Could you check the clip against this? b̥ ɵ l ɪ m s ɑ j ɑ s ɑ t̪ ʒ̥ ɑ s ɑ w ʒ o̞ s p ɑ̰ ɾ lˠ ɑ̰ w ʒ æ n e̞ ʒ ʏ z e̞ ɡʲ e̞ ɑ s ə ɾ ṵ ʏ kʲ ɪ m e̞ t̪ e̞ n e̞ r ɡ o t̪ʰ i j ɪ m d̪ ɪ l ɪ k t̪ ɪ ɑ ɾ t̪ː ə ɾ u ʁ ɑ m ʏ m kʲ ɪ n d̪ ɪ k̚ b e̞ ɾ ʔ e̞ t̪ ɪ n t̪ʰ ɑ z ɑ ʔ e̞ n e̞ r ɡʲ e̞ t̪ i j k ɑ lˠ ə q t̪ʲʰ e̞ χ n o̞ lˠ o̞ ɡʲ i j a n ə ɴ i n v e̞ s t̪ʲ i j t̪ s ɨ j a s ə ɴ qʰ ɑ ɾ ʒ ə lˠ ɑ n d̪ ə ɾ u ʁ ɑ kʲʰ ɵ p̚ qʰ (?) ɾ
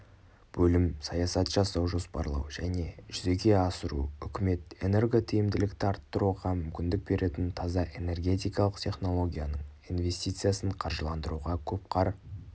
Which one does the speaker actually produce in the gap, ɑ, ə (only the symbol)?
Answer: ɑ